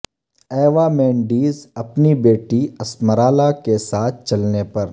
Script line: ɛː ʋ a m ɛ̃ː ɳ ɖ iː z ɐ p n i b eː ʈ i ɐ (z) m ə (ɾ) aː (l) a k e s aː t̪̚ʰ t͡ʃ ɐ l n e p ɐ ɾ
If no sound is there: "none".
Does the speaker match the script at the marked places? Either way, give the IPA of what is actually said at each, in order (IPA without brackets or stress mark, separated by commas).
s, ɾ, l